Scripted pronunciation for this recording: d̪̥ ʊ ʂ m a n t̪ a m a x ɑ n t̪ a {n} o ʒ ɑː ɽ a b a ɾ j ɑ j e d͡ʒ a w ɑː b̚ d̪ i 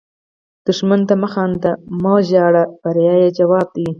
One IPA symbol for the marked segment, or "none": m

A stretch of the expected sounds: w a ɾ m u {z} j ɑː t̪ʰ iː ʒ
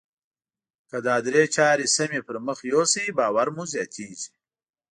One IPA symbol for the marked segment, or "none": z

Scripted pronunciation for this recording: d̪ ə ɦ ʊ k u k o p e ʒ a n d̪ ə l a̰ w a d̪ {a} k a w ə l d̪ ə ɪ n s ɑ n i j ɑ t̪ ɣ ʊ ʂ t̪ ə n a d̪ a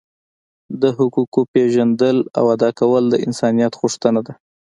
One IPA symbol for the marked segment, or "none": ɑ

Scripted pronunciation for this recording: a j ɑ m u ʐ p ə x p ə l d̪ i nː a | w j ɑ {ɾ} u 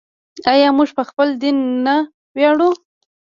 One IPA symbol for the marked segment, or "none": ɽ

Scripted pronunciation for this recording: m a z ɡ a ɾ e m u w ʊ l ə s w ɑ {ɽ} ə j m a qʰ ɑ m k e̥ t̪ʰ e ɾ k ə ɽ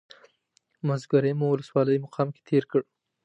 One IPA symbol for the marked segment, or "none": l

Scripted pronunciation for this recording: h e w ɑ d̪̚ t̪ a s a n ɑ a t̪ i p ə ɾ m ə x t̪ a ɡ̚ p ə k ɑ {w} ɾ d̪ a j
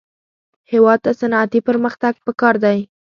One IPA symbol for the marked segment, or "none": none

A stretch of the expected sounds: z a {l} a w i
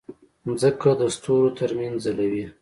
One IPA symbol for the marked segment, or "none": l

